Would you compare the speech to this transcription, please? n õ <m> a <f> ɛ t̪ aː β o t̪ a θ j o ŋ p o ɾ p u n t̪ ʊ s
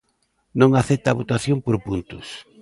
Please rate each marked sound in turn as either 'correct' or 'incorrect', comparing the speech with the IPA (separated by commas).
incorrect, incorrect